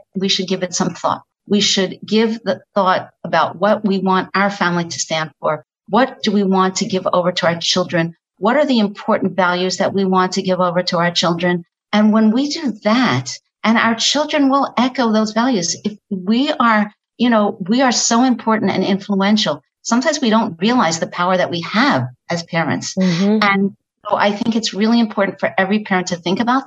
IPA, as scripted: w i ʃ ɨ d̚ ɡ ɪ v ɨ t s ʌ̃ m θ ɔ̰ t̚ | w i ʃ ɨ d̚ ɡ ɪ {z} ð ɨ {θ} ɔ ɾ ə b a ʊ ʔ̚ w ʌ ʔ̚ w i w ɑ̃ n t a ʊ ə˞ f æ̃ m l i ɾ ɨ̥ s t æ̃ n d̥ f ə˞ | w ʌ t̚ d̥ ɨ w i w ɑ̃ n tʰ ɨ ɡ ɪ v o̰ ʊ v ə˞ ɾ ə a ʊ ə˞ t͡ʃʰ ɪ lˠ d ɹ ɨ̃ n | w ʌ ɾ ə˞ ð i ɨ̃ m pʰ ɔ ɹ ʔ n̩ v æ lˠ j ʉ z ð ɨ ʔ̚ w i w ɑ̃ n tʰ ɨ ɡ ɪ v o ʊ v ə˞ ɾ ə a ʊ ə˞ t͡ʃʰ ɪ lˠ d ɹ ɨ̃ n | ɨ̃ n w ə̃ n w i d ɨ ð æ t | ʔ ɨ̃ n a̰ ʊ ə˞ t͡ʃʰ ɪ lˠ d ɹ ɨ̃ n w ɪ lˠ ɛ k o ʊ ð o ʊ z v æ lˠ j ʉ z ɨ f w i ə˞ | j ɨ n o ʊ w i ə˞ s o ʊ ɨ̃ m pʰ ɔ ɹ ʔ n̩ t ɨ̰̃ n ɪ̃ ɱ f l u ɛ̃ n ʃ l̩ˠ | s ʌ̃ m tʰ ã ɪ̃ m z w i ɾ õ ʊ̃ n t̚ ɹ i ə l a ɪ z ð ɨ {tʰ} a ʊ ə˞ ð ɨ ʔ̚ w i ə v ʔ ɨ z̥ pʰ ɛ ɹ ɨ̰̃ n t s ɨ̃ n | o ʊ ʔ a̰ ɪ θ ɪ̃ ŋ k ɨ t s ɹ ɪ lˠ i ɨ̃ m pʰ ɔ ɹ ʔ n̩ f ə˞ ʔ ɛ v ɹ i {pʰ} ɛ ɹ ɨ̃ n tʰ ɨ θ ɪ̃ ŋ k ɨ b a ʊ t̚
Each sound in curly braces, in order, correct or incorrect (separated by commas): incorrect, correct, incorrect, correct